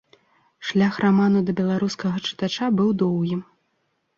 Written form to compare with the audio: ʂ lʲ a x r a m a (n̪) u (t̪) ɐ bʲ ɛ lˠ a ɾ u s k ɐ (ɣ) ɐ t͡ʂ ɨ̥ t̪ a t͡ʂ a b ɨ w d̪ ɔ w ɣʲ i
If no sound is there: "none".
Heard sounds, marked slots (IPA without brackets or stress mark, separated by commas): n̪, d̪, ɣ